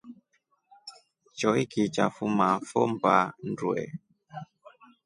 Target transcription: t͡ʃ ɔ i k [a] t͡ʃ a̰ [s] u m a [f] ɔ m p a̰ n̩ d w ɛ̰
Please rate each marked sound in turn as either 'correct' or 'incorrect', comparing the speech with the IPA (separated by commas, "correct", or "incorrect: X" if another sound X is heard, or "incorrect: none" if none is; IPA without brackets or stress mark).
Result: incorrect: i, incorrect: f, correct